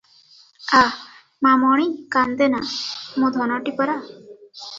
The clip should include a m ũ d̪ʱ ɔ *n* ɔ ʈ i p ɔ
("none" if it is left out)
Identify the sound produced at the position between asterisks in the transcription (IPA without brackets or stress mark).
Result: n